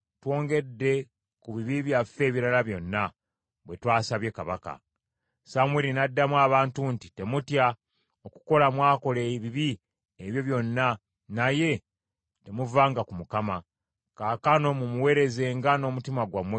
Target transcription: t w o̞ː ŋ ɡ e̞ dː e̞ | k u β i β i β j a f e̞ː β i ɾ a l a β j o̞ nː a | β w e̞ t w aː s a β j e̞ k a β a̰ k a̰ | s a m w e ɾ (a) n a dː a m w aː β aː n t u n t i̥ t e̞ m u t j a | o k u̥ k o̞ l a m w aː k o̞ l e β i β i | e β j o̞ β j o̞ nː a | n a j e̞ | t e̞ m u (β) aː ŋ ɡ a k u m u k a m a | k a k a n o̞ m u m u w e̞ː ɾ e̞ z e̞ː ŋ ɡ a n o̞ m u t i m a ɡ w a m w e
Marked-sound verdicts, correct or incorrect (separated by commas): incorrect, incorrect